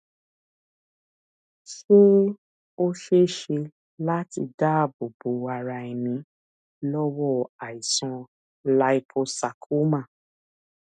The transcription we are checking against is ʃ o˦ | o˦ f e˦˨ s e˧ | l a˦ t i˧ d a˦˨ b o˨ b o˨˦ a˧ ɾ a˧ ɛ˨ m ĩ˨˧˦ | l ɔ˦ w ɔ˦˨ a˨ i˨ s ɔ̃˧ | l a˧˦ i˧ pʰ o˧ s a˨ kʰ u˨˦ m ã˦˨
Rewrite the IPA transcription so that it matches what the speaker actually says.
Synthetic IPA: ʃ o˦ | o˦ ʃ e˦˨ ʃ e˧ | l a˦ t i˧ d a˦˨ b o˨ b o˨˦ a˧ ɾ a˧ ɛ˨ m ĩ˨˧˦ | l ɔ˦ w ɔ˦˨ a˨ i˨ s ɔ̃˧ | l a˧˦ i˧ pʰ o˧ s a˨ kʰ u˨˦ m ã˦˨